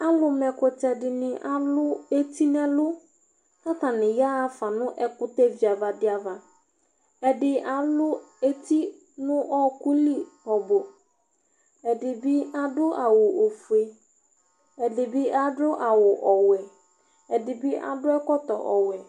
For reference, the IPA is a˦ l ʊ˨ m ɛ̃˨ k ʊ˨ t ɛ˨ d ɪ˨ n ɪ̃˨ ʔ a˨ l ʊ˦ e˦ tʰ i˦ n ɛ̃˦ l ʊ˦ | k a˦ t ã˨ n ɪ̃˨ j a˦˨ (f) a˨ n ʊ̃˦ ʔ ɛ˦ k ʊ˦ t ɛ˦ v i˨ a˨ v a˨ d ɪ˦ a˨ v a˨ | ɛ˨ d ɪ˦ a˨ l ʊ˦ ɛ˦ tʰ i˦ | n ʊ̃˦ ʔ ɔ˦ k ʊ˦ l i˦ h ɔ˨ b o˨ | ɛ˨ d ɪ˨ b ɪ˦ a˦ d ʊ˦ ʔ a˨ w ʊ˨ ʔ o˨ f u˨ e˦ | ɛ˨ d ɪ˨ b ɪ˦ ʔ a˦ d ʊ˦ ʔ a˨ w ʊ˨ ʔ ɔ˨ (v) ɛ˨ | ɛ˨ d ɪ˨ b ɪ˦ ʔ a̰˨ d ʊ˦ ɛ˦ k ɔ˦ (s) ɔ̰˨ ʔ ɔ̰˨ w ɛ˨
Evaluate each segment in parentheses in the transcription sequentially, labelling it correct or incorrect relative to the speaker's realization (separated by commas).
correct, incorrect, incorrect